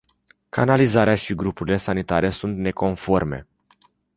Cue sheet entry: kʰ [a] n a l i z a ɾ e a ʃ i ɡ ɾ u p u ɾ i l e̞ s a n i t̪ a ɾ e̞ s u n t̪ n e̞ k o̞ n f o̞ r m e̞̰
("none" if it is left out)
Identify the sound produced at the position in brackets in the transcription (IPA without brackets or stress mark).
a